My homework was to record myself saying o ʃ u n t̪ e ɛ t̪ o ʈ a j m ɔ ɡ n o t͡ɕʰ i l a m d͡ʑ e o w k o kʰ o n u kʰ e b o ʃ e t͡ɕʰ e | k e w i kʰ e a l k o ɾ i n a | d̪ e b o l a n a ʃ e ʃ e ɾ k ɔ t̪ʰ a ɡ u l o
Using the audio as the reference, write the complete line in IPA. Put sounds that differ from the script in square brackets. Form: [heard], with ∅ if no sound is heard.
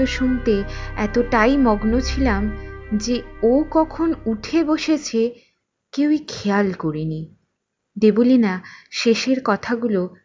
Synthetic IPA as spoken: o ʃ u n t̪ e ɛ t̪ o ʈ a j m ɔ ɡ n o t͡ɕʰ i l a m d͡ʑ e o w k [ɔ] kʰ o n u [ʈʰ] e b o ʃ e t͡ɕʰ e | k e w i kʰ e a l k o ɾ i n [i] | d̪ e b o l [i] n a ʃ e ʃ e ɾ k ɔ t̪ʰ a ɡ u l o